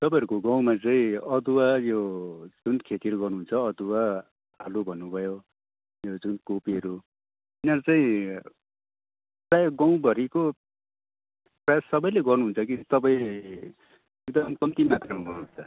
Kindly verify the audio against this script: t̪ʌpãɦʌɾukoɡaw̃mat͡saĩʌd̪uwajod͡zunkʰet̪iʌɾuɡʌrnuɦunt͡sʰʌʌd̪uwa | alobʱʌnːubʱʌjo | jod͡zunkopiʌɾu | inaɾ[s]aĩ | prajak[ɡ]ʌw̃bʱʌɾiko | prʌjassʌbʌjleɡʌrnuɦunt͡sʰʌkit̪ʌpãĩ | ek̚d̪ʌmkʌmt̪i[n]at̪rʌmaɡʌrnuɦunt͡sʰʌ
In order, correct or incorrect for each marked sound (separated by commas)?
incorrect, correct, incorrect